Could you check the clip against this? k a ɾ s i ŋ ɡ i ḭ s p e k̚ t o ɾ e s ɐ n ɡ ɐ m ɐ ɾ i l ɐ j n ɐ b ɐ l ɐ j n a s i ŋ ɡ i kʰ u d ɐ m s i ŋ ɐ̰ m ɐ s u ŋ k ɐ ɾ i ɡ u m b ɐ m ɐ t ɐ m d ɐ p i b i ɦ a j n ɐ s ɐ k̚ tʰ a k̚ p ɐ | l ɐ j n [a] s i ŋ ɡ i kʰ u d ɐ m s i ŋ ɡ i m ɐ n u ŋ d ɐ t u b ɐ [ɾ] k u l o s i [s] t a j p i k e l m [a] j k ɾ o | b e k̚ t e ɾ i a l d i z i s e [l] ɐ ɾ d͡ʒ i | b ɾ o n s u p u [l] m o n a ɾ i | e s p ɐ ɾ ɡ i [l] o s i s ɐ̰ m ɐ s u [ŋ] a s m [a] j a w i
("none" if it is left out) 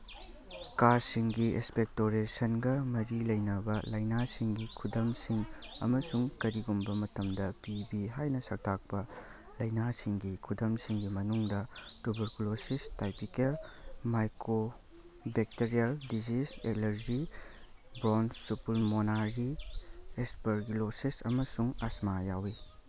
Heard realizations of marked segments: a, ɾ, s, a, l, l, l, ŋ, a

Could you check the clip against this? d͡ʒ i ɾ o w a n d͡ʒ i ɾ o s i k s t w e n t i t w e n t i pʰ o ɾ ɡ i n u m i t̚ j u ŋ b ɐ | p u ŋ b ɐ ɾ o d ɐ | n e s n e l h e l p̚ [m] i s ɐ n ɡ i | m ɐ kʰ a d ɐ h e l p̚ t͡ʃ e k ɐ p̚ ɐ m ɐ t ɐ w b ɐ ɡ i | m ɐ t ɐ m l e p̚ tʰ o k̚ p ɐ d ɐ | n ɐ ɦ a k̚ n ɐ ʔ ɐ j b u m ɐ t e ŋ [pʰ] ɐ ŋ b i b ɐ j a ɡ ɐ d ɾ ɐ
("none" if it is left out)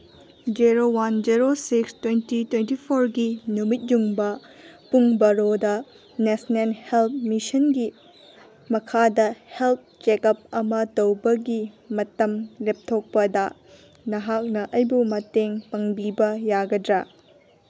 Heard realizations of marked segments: m, p

